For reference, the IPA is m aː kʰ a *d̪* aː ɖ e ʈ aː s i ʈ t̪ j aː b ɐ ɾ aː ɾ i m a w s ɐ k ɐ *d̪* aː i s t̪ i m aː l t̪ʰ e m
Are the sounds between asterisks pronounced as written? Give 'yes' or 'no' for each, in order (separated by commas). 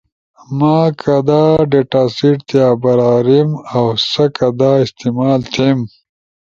yes, yes